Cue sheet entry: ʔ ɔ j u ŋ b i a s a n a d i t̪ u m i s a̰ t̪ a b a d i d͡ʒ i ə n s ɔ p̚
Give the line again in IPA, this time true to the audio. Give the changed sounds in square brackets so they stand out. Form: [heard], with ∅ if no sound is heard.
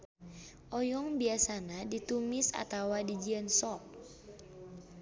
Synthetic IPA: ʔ ɔ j [ɔ] ŋ b i a s a n a d i t̪ u m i s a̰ t̪ a [w] a d i d͡ʒ i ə n s ɔ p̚